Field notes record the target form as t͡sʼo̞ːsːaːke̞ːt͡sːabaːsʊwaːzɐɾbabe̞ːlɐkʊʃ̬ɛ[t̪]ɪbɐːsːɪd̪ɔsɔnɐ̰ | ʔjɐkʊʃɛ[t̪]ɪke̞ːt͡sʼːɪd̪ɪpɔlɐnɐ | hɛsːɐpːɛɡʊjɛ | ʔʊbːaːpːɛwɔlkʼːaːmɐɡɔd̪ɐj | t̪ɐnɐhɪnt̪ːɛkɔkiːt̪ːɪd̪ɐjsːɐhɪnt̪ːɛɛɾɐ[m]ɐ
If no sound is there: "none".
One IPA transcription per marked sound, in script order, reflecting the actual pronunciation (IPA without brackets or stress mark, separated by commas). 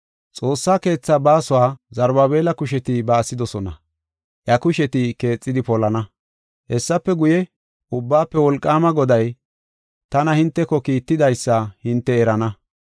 t̪, t̪, n